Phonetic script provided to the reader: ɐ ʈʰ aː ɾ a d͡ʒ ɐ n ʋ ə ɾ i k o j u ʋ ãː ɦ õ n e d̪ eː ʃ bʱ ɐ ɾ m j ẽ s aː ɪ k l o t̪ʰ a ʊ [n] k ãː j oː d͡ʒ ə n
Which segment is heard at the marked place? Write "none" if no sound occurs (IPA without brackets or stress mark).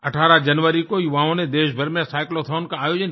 n